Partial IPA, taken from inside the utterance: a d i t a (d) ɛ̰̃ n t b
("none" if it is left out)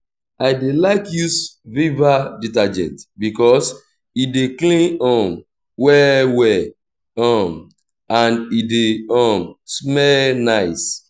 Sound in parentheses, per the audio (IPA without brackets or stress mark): d͡ʒ